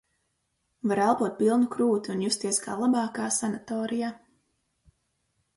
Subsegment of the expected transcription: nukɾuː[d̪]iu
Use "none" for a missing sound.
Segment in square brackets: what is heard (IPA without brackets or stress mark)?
t̪